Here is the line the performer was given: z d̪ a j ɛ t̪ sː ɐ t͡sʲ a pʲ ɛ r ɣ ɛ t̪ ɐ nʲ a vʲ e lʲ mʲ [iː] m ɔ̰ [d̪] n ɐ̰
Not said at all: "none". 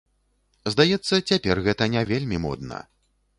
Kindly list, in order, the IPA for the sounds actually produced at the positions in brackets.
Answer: i, d̪

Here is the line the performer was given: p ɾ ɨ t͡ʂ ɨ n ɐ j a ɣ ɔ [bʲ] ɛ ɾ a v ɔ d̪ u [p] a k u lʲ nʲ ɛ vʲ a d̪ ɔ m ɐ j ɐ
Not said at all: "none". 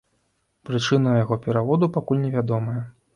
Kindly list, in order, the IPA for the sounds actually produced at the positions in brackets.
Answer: pʲ, p

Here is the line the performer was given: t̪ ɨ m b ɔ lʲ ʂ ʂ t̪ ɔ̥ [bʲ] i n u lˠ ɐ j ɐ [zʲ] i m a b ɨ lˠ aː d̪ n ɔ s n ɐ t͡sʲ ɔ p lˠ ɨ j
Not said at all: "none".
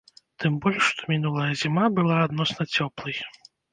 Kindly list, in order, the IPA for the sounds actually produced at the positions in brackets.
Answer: mʲ, zʲ

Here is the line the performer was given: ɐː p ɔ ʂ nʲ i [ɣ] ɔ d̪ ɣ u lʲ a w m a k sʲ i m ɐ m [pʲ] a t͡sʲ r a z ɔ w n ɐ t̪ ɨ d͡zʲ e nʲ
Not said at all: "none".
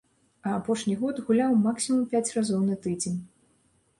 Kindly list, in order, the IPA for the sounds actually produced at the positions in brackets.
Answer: ɣ, pʲ

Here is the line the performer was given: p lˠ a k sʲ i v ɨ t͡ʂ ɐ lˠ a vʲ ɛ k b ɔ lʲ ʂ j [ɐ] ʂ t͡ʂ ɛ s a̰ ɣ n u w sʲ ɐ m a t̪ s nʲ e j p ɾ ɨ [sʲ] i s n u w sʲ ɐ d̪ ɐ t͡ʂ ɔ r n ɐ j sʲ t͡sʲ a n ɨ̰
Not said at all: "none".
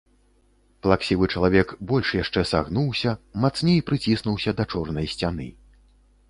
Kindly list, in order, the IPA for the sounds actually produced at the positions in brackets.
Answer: a, t͡sʲ

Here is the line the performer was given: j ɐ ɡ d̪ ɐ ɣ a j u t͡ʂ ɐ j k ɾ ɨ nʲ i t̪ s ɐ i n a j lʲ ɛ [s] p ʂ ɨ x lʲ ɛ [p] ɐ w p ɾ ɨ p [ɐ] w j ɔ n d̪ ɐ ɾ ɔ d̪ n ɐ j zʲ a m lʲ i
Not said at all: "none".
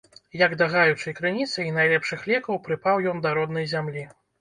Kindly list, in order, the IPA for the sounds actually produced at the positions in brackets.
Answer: none, k, a

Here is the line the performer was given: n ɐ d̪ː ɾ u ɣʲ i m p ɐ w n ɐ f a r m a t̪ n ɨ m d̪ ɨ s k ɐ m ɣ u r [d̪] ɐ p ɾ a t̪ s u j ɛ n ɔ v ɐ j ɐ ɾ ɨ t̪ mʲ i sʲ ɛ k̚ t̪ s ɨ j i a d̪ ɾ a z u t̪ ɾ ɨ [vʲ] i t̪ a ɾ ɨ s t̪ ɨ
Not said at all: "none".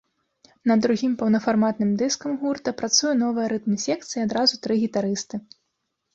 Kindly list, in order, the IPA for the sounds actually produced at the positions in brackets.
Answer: t̪, ɣʲ

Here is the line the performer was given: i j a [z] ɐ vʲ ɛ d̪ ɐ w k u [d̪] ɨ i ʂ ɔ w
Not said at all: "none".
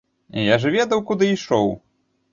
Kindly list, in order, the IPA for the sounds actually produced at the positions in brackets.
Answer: ʐ, d̪

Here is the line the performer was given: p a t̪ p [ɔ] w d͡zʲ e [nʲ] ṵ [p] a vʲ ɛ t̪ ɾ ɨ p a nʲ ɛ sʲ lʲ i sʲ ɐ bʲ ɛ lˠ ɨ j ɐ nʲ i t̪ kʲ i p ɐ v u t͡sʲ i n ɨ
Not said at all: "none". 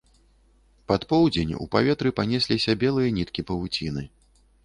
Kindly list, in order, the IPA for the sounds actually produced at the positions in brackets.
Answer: ɔ, nʲ, p

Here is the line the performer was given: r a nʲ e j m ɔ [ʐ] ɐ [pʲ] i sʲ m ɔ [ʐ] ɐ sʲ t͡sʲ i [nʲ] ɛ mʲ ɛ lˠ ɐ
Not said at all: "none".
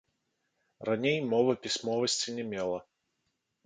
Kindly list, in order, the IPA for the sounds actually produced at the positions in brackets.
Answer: v, pʲ, v, nʲ

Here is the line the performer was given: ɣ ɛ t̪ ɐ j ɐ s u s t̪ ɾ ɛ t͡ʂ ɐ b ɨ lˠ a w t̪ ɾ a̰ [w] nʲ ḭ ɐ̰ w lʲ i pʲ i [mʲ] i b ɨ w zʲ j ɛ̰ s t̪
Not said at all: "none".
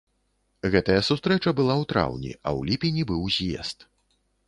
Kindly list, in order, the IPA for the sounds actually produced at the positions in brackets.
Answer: w, nʲ

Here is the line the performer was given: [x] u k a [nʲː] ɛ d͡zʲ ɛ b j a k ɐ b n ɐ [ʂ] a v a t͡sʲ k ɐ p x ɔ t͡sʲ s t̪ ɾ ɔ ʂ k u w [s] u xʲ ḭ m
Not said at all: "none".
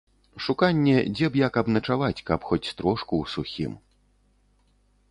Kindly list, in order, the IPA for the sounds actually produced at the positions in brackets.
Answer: ʂ, nʲː, t͡ʂ, s

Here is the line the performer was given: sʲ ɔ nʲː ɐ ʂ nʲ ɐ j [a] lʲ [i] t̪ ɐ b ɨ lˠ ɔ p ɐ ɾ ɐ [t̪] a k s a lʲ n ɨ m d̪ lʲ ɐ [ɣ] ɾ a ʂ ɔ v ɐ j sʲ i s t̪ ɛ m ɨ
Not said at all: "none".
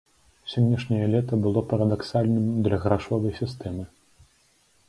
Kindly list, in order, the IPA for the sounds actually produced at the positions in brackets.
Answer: ɐ, ɛ, d̪, ɣ

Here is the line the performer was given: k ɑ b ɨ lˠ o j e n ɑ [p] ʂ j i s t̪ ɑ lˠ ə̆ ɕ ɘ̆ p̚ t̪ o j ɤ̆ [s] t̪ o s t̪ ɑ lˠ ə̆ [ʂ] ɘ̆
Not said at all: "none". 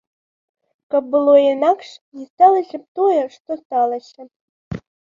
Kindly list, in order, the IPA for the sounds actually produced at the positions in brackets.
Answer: k, ʂ, ɕ

